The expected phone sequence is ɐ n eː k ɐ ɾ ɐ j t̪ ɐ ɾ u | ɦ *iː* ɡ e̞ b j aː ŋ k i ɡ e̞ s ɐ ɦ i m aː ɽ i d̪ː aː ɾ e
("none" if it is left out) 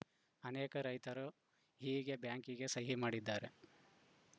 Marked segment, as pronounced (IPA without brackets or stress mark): iː